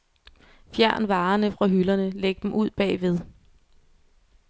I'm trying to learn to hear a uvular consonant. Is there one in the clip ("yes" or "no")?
yes